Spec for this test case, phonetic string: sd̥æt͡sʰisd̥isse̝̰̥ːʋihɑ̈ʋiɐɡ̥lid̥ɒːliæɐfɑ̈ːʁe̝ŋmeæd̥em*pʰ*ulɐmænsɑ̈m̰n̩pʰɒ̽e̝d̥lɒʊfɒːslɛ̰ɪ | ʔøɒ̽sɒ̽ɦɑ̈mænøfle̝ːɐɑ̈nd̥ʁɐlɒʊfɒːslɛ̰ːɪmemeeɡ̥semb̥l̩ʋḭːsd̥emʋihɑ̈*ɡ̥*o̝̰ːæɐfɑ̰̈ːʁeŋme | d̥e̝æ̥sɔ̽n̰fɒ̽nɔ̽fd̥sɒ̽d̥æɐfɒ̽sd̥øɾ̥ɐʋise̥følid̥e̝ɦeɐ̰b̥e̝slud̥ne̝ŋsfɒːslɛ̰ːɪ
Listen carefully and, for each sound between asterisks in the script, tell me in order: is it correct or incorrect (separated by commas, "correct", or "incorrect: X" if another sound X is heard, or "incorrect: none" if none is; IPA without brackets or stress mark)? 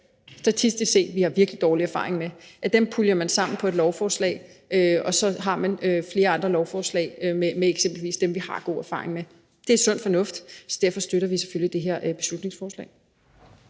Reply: correct, correct